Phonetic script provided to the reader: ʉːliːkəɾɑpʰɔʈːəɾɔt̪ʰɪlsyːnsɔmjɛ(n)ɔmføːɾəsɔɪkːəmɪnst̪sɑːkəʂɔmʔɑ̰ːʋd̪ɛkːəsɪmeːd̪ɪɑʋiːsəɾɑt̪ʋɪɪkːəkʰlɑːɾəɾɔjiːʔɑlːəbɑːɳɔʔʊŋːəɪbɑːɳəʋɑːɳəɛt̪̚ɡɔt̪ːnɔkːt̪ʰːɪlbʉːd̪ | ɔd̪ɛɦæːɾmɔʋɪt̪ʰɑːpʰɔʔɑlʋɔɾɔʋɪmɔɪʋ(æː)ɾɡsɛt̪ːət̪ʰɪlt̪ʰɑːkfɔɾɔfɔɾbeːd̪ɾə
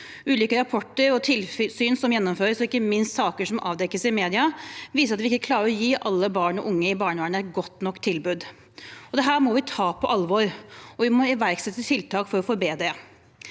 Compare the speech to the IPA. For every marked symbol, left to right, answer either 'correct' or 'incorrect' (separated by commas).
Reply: incorrect, incorrect